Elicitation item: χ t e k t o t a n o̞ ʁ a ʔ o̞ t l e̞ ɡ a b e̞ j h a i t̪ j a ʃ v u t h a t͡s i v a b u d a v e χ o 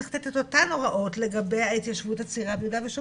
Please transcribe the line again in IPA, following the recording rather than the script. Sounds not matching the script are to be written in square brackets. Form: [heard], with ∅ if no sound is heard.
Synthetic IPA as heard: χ t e [t] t o t a n o̞ ʁ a ʔ o̞ t l e̞ ɡ a b e̞ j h a i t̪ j a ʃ v u t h a t͡s i [ʁ] a b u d a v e [ʃ] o